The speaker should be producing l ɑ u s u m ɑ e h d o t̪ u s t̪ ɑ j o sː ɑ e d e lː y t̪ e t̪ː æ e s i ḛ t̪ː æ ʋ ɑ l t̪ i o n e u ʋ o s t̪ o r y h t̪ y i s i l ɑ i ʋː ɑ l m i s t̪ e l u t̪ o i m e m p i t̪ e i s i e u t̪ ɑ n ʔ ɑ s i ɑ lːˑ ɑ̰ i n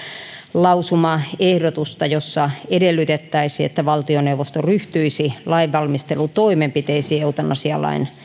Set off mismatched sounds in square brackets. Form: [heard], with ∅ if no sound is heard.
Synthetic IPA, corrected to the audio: l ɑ u s u m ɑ e h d o t̪ u s t̪ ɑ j o sː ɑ e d e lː y t̪ e t̪ː æ [i] s i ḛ t̪ː æ ʋ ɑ l t̪ i o n e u ʋ o s t̪ o r y h t̪ y i s i l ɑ i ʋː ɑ l m i s t̪ e l u t̪ o i m e m p i t̪ e i s i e u t̪ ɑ n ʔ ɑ s i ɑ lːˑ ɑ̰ i n